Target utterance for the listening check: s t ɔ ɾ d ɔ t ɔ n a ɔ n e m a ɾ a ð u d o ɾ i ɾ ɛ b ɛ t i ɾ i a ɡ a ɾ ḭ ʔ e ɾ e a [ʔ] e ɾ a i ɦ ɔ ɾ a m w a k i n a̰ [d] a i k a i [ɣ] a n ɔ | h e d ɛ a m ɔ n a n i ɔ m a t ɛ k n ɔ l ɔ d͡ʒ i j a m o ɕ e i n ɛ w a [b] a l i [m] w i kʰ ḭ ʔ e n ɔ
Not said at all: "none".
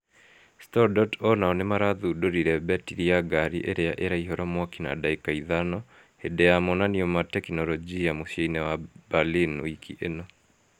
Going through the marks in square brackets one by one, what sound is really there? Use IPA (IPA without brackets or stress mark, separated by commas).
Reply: ʔ, d, ð, b, n